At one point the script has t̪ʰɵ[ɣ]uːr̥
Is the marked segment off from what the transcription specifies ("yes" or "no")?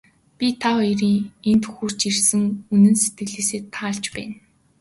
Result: yes